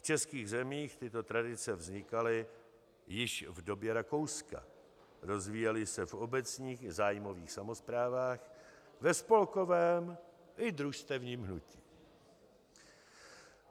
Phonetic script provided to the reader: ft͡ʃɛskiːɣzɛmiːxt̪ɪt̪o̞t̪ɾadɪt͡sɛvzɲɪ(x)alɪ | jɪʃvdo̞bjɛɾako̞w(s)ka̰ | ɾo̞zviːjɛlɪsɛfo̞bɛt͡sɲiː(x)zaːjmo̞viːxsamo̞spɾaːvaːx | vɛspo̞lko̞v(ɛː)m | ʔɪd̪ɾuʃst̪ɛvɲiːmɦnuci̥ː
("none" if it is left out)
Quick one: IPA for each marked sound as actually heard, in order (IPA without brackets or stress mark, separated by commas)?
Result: k, s, x, ɛː